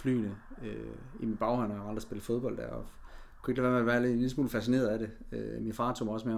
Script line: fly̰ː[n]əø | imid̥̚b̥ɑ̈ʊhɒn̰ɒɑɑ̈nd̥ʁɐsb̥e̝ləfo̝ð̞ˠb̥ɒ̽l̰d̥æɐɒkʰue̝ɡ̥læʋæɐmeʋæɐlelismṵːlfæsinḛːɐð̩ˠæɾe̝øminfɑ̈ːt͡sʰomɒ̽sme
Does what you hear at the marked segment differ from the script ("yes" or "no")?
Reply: no